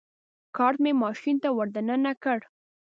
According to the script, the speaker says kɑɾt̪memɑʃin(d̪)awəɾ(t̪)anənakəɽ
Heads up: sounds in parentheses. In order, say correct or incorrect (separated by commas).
incorrect, incorrect